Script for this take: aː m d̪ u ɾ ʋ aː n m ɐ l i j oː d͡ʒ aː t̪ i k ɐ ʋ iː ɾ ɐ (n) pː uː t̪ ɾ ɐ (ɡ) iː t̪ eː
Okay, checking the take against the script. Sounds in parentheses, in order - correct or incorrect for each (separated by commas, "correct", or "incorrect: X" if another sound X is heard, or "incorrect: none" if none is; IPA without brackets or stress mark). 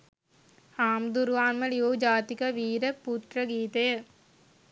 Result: incorrect: none, correct